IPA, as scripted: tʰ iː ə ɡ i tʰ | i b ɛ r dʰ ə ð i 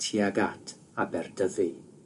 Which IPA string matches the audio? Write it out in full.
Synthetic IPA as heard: tʰ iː a ɡ a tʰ | a b ɛ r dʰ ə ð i